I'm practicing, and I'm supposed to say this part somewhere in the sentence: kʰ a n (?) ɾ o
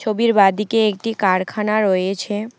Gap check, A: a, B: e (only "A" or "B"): A